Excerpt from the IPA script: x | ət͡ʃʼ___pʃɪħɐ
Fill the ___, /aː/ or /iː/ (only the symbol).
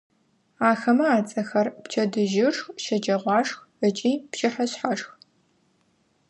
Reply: iː